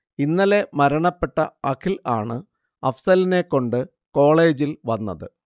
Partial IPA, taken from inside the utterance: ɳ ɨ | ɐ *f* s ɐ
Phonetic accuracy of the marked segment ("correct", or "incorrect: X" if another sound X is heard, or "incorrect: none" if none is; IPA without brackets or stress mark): correct